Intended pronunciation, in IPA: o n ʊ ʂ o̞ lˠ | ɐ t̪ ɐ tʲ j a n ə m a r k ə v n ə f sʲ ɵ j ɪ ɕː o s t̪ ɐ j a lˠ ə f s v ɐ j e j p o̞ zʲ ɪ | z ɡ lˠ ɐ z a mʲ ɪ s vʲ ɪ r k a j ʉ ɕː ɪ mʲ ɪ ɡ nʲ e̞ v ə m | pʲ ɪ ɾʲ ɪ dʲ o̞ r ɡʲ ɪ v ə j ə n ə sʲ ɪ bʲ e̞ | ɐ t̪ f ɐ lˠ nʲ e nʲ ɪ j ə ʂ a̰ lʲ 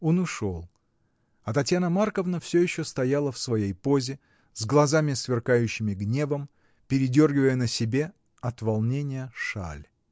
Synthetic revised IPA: o n ʊ ʂ o̞ lˠ | ɐ t̪ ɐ tʲ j a n ə m a r k ə v n ə f sʲ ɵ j ɪ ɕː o s t̪ ɐ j a lˠ ə f s v ɐ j e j p o̞ zʲ ɪ | z ɡ lˠ ɐ z a mʲ ɪ s vʲ ɪ r k a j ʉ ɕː ɪ mʲ ɪ ɡ nʲ e̞ v ə m | pʲ ɪ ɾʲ ɪ dʲ o̞ r ɡʲ ɪ v ə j ə n ə sʲ ɪ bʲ e̞ | ɐ t̪ v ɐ lˠ nʲ e nʲ ɪ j ə ʂ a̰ lʲ

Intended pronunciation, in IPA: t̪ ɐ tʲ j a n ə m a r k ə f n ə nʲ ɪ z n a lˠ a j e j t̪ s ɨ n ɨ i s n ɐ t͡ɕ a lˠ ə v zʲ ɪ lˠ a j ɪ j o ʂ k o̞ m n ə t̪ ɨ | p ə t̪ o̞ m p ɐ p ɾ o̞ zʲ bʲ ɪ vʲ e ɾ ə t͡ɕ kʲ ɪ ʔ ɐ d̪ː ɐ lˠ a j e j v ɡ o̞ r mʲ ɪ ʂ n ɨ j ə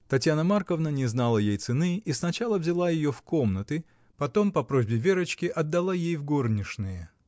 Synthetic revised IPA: t̪ ɐ tʲ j a n ə m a r k ə v n ə nʲ ɪ z n a lˠ ə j e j t̪ s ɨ n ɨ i s n ɐ t͡ɕ a lˠ ə v zʲ ɪ lˠ a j ɪ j o f k o̞ m n ə t̪ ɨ | p ɐ t̪ o̞ m p ɐ p ɾ o̞ zʲ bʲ ɪ vʲ e ɾ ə t͡ɕ kʲ ɪ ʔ ɐ d̪ː ɐ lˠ a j e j v ɡ o̞ r nʲ ɪ ʂ n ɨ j ə

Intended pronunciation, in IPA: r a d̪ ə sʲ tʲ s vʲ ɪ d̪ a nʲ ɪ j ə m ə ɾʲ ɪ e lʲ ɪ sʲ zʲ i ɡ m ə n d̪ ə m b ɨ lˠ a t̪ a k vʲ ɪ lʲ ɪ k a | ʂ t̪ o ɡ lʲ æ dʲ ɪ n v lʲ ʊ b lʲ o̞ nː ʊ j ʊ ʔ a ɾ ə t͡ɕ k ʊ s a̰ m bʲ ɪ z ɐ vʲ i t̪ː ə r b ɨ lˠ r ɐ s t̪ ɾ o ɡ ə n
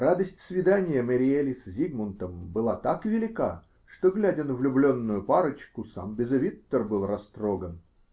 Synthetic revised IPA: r a d̪ ə sʲ tʲ s vʲ ɪ d̪ a nʲ ɪ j ə m ə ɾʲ ɪ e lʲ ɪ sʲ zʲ i ɡ m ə n t̪ ə m b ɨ lˠ a t̪ a k vʲ ɪ lʲ ɪ k a | ʂ t̪ o ɡ lʲ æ dʲ ɪ n v lʲ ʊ b lʲ o̞ nː ʊ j ʊ p a ɾ ə t͡ɕ k ʊ s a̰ m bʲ ɪ z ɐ vʲ i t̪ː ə r b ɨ lˠ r ɐ s t̪ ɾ o ɡ ə n

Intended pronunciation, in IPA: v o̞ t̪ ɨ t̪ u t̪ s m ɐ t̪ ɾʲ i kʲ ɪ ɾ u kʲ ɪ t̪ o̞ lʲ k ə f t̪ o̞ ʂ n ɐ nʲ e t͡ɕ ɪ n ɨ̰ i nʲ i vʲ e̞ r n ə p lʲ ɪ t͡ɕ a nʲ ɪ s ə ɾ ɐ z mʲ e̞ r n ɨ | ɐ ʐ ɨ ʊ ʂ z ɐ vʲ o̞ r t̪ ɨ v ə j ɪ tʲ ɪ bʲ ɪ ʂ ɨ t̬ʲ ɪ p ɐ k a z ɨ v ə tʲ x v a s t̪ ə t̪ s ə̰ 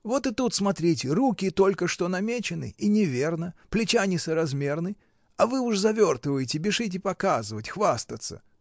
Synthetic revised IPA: v o̞ t̪ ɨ t̪ u t̪ s m ɐ t̪ ɾʲ i tʲ ɪ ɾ u kʲ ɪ t̪ o̞ lʲ k ə ʂ t̪ o̞ n ɐ mʲ e t͡ɕ ɪ n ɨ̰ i nʲ ɪ vʲ e̞ r n ə p lʲ ɪ t͡ɕ a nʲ ɪ s ə ɾ ɐ z mʲ e̞ r n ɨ | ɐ v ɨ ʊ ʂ z ɐ vʲ o̞ r t̪ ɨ v ə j ɪ tʲ ɪ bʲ ɪ ʂ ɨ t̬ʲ ɪ p ɐ k a z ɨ v ə tʲ x v a s t̪ ə t̪ s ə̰

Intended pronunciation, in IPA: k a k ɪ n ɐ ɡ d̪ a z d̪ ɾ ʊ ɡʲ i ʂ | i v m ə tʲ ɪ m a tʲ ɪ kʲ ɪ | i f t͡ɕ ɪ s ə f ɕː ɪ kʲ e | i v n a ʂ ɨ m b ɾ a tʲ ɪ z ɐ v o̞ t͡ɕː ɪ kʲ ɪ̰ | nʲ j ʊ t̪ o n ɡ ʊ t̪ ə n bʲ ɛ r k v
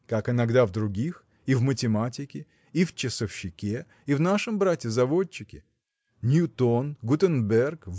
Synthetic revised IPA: k a k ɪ n ɐ ɡ d̪ a v d̪ ɾ ʊ ɡʲ i x | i v m ə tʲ ɪ m a tʲ ɪ kʲ ɪ | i f t͡ɕ ɪ s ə f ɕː ɪ kʲ e | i v n a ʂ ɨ m b ɾ a tʲ ɪ z ɐ v o̞ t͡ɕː ɪ kʲ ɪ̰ | nʲ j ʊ t̪ o n ɡ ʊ t̪ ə n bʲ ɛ r k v

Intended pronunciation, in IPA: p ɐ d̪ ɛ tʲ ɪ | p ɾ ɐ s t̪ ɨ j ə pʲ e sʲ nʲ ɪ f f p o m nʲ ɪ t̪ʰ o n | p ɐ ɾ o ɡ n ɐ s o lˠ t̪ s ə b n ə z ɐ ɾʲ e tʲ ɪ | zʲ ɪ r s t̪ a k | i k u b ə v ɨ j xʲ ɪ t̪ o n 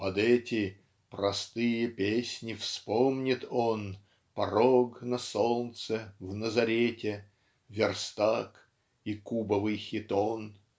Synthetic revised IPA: p ɐ d̪ ɛ tʲ ɪ | p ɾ ɐ s t̪ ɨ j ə pʲ e sʲ nʲ ɪ f s p o m nʲ ɪ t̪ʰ o n | p ɐ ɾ o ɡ n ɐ s o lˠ t̪ s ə v n ə z ɐ ɾʲ e tʲ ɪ | vʲ ɪ r s t̪ a k | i k u b ə v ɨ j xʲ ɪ t̪ o n

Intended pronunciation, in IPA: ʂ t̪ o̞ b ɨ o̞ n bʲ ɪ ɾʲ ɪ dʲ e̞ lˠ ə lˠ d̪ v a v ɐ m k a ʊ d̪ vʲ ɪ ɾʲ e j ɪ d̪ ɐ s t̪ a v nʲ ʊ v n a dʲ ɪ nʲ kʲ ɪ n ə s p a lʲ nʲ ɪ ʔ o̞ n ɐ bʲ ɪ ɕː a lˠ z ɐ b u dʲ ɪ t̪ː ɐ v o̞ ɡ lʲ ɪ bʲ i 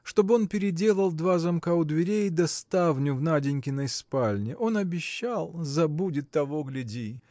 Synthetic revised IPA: ʂ t̪ o̞ b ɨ o̞ n pʲ ɪ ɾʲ ɪ dʲ e̞ lˠ ə lˠ d̪ v a z ɐ m k a ʊ d̪ vʲ ɪ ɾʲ e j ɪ d̪ ɐ s t̪ a v nʲ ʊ v n a dʲ ɪ nʲ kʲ ɪ n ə s p a lʲ nʲ ɪ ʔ o̞ n ɐ bʲ ɪ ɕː a lˠ z ɐ b u dʲ ɪ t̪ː ɐ v o̞ ɡ lʲ ɪ dʲ i

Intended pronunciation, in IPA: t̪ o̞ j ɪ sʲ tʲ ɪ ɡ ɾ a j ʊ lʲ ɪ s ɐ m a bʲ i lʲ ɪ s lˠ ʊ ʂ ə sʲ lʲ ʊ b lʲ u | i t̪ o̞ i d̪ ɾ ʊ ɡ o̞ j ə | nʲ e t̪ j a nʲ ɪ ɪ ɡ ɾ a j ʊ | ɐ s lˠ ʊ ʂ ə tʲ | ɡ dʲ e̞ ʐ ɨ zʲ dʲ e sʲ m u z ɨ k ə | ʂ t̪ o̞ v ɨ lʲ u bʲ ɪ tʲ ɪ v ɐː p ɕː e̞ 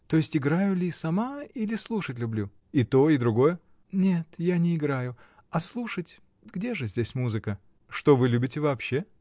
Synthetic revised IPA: t̪ o̞ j ɪ sʲ tʲ ɪ ɡ ɾ a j ʊ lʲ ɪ s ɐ m a i lʲ ɪ s lˠ u ʂ ə tʲ lʲ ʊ b lʲ u | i t̪ o̞ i d̪ ɾ ʊ ɡ o̞ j ə | nʲ e t̪ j a nʲ ɪ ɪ ɡ ɾ a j ʊ | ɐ s lˠ u ʂ ə tʲ | ɡ dʲ e̞ ʐ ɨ zʲ dʲ e sʲ m u z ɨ k ə | ʂ t̪ o̞ v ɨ lʲ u bʲ ɪ tʲ ɪ v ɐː p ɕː e̞

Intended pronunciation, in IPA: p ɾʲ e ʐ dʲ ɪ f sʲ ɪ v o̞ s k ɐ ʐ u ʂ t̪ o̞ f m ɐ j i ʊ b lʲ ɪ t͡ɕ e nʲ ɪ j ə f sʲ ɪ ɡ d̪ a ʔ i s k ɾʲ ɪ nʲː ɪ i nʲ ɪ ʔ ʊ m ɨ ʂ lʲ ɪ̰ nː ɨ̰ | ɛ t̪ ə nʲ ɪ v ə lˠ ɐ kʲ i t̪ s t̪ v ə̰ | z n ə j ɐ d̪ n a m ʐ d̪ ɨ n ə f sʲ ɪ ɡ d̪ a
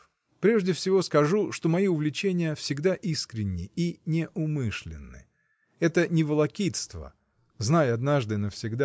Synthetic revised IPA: p ɾʲ e ʐ dʲ ɪ f sʲ ɪ v o̞ s k ɐ ʐ u ʂ t̪ o̞ m ɐ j i ʊ v lʲ ɪ t͡ɕ e nʲ ɪ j ə f sʲ ɪ ɡ d̪ a ʔ i s k ɾʲ ɪ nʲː ɪ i nʲ ɪ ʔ ʊ m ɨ ʂ lʲ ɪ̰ nː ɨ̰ | ɛ t̪ ə nʲ ɪ v ə lˠ ɐ kʲ i t̪ s t̪ v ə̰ | z n a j ɐ d̪ n a ʐ d̪ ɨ n ə f sʲ ɪ ɡ d̪ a

